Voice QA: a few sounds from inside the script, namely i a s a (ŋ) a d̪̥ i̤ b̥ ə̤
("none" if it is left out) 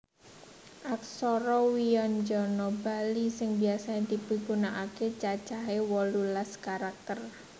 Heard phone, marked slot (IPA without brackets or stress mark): ɲ